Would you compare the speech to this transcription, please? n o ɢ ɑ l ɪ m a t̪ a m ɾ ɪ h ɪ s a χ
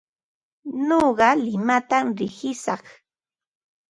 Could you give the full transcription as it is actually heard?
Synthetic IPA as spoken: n o ɢ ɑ l ɪ m a t̪ a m ɾ ɪ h ɪ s ɑ χ